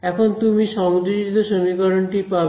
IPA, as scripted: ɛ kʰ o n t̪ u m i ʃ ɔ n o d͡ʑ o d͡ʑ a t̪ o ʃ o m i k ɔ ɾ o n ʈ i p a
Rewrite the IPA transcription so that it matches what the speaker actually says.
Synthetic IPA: ɛ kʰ o n t̪ u m i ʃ ɔ m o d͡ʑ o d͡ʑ i t̪ o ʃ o m i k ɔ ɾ o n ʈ i p a